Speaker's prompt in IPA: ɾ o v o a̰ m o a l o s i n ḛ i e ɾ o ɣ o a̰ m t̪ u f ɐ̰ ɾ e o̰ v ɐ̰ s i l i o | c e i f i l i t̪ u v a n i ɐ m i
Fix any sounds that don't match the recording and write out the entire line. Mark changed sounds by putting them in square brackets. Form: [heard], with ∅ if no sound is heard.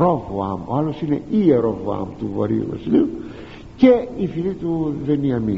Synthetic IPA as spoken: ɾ o v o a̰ m o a l o s i n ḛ i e ɾ o [v] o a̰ m t̪ u [v] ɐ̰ ɾ [i] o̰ v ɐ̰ s i l i [u] | c e i f i l i t̪ u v [e] n i ɐ m i